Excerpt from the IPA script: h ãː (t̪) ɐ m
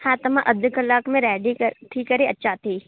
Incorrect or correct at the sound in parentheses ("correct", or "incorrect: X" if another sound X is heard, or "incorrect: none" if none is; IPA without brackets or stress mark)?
correct